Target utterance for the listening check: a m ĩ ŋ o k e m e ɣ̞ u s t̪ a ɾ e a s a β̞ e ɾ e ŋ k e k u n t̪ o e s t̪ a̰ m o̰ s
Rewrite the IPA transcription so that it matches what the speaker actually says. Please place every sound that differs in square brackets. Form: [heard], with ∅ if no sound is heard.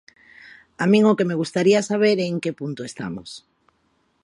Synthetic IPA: a m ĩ ŋ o k e m e ɣ̞ u s t̪ a ɾ [i] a s a β̞ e ɾ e ŋ k e [p] u n t̪ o e s t̪ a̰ m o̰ s